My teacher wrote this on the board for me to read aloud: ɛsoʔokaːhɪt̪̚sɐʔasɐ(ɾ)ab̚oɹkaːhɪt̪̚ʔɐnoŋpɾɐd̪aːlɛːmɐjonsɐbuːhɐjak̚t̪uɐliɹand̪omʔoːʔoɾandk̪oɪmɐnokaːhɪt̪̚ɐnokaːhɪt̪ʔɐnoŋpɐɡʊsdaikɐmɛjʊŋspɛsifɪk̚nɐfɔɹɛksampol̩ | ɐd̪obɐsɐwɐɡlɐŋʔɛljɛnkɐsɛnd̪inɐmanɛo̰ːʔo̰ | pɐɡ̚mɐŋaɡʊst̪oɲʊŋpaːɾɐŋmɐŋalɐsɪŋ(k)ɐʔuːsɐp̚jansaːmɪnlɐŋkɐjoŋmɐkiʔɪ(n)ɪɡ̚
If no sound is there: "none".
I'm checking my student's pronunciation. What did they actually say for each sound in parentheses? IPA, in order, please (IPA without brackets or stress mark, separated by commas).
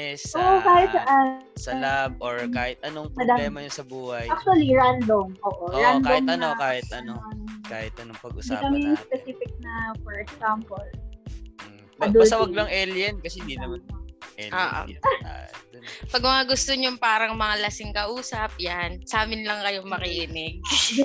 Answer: l, k, n